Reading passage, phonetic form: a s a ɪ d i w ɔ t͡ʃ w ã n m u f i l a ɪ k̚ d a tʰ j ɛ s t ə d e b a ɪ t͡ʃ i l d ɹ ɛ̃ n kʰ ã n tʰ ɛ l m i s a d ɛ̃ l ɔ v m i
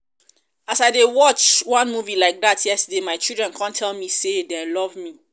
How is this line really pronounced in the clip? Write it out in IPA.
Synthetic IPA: a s a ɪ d e w ɔ t͡ʃ w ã n m u v i l a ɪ k̚ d a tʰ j ɛ s t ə d e m a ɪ t͡ʃ i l d ɹ ɛ̃ n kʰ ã n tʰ ɛ l m i s e d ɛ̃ l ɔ v m i